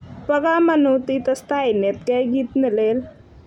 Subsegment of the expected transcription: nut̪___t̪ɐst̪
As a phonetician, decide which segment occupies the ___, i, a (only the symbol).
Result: i